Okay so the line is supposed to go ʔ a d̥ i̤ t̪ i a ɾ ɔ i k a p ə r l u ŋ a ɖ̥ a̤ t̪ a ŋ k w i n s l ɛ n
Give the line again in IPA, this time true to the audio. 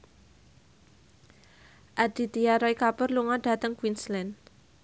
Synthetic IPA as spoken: ʔ a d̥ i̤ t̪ i a ɾ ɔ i k a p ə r l u ŋ a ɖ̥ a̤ t̪ ə ŋ k w i n s l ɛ n

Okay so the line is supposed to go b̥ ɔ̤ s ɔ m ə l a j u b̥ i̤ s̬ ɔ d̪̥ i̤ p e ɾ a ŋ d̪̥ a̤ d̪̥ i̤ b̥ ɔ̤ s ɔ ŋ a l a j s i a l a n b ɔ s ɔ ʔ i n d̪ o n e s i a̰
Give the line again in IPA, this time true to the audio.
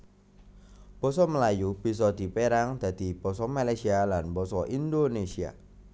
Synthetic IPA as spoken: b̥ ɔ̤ s ɔ m ə l a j u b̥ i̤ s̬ ɔ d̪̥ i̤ p e ɾ a ŋ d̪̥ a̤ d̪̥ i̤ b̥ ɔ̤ s ɔ m a l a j s i a l a n b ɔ s ɔ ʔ i n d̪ o n e s i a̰

